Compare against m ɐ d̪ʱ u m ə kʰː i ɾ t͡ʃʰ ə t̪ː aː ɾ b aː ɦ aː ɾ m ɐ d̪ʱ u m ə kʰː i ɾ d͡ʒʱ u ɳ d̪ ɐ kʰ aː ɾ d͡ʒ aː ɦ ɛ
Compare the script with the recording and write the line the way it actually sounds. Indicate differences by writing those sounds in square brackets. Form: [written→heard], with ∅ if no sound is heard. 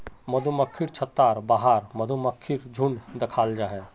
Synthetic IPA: m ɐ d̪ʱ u m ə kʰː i ɾ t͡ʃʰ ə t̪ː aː ɾ b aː ɦ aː ɾ m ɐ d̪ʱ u m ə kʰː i ɾ d͡ʒʱ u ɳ d̪ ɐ kʰ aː [ɾ→l] d͡ʒ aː ɦ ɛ